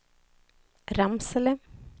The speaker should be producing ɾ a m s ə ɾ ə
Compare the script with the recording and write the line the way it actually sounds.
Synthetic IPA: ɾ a m s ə l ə